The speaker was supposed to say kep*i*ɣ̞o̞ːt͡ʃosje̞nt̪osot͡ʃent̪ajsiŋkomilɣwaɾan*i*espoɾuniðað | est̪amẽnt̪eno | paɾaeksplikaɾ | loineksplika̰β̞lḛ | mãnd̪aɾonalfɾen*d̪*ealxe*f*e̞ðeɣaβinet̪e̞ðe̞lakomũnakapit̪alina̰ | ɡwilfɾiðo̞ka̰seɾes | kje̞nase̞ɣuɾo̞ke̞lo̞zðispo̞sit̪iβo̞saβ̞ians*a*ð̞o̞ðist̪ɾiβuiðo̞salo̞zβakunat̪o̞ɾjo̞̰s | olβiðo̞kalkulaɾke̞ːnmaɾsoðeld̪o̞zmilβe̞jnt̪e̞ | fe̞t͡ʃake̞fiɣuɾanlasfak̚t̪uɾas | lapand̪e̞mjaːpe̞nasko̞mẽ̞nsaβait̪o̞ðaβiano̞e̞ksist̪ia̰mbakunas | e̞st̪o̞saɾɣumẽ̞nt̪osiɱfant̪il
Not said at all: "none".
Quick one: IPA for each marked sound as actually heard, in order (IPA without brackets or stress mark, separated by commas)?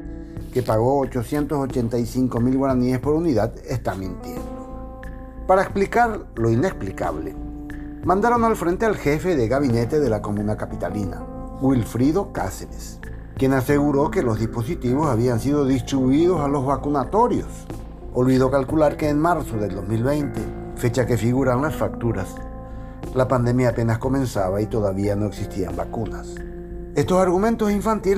a, i, t̪, f, i